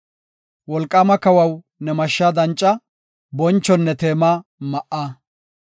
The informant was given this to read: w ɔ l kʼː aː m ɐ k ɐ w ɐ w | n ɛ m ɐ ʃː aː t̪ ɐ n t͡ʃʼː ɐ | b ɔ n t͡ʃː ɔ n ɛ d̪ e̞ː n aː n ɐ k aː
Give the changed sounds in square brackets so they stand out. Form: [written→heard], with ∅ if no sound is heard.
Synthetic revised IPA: w ɔ l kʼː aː m ɐ k ɐ w ɐ w | n ɛ m ɐ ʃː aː [t̪→d̪] ɐ n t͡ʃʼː ɐ | b ɔ n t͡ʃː ɔ [n→nː] ɛ [d̪→t̪] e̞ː [n→m] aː [n→m] ɐ [k→ʔ] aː